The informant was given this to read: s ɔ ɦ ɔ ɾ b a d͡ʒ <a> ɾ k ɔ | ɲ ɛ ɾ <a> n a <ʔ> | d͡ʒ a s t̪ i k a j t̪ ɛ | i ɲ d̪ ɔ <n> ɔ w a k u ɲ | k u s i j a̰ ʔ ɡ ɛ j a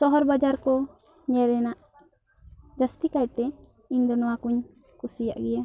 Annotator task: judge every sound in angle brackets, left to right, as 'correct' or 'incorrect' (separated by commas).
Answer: correct, incorrect, correct, correct